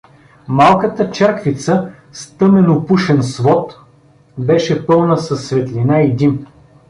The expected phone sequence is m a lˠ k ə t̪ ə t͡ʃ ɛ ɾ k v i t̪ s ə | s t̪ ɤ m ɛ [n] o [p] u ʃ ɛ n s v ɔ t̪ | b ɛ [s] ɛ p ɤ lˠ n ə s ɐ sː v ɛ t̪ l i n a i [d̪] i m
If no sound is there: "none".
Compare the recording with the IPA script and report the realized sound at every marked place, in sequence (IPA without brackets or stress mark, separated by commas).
n, p, ʃ, d̪